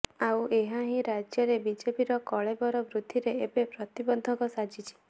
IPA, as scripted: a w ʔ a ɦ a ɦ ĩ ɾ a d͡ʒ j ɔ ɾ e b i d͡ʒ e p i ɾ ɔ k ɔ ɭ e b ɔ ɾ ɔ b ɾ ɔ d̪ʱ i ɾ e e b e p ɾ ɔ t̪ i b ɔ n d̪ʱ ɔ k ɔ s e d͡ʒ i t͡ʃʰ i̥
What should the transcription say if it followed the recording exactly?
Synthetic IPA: a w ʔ e ɦ a ɦ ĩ ɾ a d͡ʒ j ɔ ɾ e b i d͡ʒ e p i ɾ ɔ k ɔ ɭ e b ɔ ɾ ɔ b ɾ u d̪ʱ i ɾ e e b e p ɾ ɔ t̪ i b ɔ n d̪ʱ ɔ k ɔ s a d͡ʒ i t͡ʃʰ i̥